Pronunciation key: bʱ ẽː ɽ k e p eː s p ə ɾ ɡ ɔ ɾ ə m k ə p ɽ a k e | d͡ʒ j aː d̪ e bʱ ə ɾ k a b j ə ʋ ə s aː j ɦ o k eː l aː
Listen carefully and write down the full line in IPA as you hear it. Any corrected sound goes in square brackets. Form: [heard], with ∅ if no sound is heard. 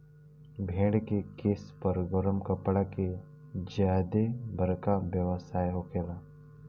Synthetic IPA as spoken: bʱ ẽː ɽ k e [k] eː s p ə ɾ ɡ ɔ ɾ ə m k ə p ɽ a k e | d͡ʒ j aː d̪ e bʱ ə ɾ k a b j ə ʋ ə s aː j ɦ o k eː l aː